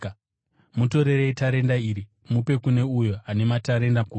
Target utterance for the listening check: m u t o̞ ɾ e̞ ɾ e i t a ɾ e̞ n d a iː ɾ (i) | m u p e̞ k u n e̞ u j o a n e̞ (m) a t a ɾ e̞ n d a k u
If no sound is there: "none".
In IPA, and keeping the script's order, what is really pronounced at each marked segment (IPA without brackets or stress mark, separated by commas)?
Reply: i, m